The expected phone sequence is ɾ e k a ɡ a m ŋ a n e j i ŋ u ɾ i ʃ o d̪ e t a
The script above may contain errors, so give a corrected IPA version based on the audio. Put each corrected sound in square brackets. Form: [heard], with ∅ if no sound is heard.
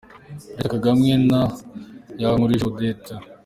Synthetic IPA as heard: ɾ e k a ɡ a m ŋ [e] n [a] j [a] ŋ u ɾ i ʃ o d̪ e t a